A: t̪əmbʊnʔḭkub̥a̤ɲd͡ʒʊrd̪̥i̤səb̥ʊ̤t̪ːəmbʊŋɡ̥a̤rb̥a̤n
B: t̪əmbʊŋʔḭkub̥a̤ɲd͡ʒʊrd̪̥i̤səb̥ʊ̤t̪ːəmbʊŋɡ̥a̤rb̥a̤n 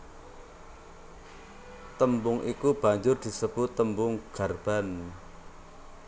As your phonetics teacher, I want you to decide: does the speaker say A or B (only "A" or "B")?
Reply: B